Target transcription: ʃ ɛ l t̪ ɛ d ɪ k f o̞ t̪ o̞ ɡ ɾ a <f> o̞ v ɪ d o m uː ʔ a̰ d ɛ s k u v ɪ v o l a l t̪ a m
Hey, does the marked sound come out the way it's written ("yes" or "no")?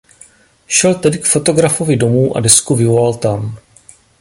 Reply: yes